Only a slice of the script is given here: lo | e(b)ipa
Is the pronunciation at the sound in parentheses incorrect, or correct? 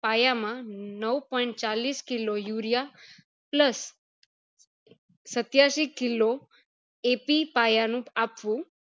incorrect